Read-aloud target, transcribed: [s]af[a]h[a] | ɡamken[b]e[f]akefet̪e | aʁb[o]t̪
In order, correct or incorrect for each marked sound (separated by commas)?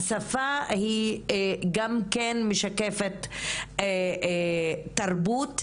correct, correct, incorrect, incorrect, incorrect, incorrect